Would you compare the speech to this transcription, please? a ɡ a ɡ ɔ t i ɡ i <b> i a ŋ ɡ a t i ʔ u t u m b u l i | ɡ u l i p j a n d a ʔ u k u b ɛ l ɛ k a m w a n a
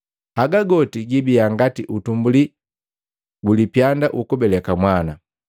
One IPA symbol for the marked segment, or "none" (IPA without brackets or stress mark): b